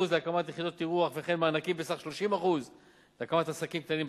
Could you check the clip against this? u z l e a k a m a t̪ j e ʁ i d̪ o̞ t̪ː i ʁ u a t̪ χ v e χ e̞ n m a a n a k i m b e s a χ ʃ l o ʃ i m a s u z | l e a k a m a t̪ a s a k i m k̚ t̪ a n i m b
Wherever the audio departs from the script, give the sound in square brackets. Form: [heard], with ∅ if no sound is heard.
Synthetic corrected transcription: u z l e a k a m a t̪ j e [χ] i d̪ o̞ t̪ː i ʁ u a [∅] χ v e χ e̞ n m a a n a k i m b e s a χ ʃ l o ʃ i m a [χ] u z | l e a k a m a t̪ a s a k i m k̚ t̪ a n i m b